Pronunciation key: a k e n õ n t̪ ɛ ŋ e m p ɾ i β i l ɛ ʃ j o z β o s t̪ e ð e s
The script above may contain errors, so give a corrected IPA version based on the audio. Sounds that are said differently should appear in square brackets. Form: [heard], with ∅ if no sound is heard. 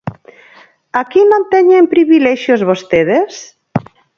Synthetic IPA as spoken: a k [i] n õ n t̪ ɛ [ɲ] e m p ɾ i β i l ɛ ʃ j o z β o s t̪ e ð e s